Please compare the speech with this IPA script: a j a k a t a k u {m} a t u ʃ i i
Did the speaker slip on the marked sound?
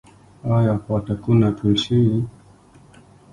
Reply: yes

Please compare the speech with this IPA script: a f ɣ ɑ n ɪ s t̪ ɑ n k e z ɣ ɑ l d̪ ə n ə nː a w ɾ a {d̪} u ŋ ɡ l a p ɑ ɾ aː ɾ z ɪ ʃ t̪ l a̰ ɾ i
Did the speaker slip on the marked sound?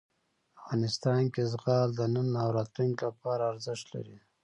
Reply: yes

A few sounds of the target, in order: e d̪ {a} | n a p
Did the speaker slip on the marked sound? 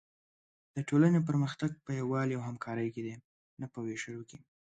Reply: yes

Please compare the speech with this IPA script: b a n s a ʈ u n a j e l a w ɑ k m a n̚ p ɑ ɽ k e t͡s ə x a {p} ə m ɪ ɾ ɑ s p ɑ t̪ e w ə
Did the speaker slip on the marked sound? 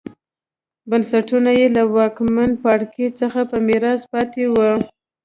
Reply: no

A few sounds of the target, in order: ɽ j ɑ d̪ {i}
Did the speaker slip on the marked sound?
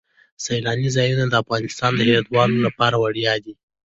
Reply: no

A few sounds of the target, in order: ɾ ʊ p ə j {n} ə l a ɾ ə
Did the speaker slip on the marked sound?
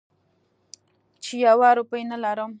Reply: no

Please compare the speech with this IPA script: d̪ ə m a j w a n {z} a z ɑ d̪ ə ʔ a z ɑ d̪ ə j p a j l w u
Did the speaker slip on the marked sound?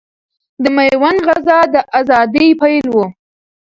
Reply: yes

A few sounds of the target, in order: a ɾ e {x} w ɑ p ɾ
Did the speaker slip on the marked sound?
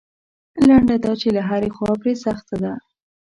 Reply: no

